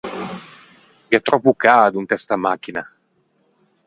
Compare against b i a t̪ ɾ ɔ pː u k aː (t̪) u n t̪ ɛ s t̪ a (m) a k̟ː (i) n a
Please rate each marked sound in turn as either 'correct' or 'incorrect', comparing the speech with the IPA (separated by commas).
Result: incorrect, correct, correct